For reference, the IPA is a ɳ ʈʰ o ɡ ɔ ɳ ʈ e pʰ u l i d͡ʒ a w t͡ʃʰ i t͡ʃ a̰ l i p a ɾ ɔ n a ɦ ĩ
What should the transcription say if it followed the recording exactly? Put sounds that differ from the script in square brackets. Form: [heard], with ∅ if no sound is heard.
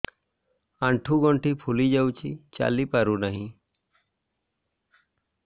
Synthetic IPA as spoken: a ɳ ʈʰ [u] ɡ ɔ ɳ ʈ [i] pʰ u l i d͡ʒ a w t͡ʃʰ i t͡ʃ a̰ l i p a ɾ [u] n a ɦ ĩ